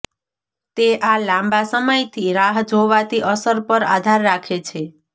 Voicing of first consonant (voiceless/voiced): voiceless